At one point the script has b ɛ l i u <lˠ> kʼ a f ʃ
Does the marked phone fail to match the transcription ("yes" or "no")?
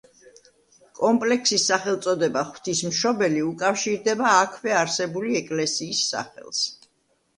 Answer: yes